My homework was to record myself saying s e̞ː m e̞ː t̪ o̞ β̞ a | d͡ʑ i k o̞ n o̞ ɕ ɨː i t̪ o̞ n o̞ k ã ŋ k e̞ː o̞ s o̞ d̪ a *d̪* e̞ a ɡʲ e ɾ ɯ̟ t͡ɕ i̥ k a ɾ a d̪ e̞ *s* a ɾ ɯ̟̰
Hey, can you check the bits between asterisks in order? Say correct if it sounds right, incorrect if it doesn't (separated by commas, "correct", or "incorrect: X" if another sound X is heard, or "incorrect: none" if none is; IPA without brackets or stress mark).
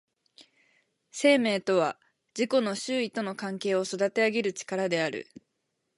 incorrect: t̪, incorrect: none